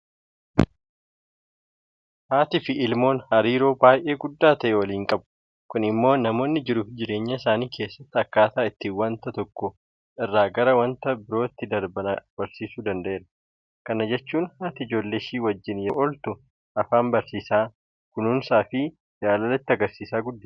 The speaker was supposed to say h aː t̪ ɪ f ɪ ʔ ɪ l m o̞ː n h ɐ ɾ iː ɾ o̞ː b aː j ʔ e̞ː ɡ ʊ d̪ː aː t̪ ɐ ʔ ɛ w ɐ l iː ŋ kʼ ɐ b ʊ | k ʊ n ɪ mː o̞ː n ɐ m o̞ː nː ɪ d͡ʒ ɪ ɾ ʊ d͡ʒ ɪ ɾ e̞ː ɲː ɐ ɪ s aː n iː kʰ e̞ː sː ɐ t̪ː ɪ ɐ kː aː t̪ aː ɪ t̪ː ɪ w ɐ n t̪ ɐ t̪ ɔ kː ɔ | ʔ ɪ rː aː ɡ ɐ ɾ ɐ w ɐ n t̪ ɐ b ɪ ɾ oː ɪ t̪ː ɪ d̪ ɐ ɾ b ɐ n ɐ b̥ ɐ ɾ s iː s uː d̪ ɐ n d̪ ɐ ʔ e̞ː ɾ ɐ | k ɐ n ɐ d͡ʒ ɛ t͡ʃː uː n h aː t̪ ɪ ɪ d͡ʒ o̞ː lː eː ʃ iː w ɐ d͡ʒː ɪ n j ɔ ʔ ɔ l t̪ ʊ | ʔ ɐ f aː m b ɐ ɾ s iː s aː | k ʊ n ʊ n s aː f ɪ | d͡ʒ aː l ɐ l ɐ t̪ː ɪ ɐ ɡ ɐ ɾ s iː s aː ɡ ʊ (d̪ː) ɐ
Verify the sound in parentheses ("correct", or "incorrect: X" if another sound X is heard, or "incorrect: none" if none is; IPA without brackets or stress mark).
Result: correct